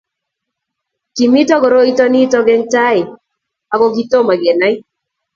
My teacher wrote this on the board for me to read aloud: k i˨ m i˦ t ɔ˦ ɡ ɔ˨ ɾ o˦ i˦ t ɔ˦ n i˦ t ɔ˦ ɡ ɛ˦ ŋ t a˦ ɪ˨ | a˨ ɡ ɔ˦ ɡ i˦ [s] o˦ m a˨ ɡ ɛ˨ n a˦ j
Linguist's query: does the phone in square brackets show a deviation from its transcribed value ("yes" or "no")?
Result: yes